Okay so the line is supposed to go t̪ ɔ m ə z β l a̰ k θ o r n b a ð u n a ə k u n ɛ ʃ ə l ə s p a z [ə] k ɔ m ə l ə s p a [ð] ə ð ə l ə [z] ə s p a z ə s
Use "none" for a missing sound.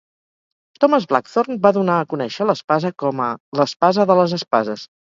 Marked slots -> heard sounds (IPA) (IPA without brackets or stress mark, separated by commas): ə, z, z